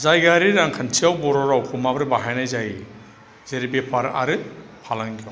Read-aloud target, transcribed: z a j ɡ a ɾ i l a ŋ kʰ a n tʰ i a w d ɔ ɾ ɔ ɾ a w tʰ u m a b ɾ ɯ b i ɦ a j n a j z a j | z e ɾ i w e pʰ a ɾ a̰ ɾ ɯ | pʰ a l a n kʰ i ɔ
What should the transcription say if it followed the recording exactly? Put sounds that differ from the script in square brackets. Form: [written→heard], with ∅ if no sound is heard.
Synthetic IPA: z a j ɡ a ɾ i [l→ɾ] a ŋ kʰ a n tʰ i a w [d→b] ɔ ɾ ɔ ɾ a w [tʰ→kʰ] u m a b ɾ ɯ b [i→a] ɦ a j n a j z a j | z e ɾ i [w→b] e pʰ a ɾ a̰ ɾ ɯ | pʰ a l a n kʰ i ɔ